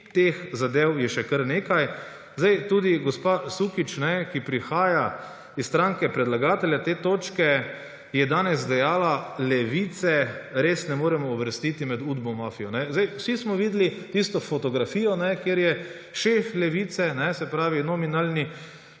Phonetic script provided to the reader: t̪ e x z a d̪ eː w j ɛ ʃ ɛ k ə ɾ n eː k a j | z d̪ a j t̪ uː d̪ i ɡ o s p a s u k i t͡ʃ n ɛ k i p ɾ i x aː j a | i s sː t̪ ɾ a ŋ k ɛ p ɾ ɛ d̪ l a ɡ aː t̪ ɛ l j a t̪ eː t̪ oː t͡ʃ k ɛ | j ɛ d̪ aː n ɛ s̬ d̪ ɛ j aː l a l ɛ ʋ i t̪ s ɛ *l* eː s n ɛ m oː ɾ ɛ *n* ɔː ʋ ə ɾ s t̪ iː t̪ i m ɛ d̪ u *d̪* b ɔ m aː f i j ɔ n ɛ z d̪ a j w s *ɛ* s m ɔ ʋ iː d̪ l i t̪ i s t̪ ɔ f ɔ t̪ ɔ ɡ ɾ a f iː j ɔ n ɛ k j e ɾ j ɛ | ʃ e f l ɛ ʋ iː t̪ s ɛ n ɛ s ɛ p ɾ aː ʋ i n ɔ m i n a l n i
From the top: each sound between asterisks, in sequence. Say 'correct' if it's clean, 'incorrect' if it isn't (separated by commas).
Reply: incorrect, incorrect, correct, incorrect